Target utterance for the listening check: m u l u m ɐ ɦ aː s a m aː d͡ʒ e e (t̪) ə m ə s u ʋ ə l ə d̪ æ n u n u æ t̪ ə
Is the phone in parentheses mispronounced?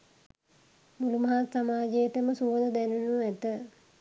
no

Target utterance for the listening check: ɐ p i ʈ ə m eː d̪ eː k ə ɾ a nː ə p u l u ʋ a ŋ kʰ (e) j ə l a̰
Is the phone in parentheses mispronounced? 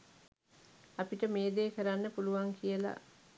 yes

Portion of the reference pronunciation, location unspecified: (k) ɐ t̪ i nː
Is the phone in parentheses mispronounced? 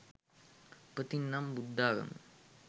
yes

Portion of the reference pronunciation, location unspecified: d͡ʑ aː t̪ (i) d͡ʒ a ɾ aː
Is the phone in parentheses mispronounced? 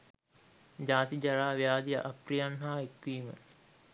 no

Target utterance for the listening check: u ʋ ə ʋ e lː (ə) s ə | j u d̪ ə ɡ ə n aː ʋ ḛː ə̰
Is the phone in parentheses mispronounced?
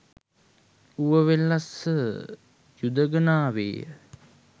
yes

